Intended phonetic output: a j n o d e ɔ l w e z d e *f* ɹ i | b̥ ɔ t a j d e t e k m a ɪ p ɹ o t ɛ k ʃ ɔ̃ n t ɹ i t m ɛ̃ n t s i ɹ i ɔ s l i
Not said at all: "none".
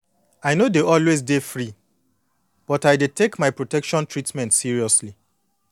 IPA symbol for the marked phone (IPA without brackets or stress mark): f